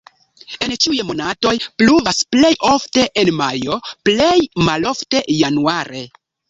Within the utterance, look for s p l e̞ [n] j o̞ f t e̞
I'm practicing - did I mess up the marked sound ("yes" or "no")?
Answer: yes